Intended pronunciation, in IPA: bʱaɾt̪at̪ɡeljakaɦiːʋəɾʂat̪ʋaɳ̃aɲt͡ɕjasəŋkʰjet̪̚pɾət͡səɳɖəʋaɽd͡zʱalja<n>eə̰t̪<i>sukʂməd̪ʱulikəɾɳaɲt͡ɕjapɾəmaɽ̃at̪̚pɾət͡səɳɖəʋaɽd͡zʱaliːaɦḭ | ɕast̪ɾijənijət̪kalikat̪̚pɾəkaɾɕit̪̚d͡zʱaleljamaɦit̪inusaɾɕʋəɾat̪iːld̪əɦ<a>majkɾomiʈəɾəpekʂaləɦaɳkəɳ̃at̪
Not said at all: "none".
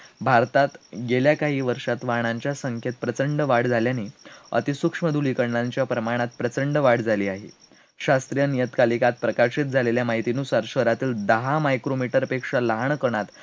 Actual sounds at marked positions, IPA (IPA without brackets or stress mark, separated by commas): n, i, a